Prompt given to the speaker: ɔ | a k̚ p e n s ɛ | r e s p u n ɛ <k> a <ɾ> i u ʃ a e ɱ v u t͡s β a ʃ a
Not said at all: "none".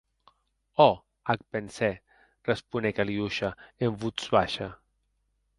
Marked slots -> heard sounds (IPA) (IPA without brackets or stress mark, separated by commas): k, l